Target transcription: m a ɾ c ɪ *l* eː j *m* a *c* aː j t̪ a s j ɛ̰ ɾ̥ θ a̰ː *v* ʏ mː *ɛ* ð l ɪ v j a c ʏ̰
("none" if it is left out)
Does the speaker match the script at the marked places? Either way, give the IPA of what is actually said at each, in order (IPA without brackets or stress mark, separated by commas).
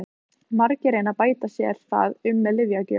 ɾ, n, p, ð, ɛ